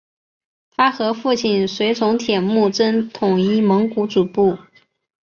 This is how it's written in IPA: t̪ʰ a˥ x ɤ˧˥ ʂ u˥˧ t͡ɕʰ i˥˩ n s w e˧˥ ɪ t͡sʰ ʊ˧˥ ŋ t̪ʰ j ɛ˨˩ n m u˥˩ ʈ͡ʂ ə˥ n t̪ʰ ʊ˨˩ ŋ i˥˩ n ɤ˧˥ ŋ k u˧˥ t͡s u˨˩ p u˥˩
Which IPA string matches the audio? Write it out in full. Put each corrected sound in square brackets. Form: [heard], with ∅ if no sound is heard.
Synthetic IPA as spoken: t̪ʰ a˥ x ɤ˧˥ [f] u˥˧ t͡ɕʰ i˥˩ n s w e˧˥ ɪ t͡sʰ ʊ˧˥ ŋ t̪ʰ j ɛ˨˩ n m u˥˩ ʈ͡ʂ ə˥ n t̪ʰ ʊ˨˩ ŋ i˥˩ [m] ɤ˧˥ ŋ k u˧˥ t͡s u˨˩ p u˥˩